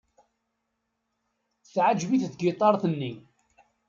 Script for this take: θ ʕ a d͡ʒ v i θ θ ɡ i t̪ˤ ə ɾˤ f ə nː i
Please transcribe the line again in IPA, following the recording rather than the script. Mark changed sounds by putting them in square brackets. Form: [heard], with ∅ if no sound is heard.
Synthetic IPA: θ ʕ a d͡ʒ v i θ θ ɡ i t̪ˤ [ɑ] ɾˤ [θ] ə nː i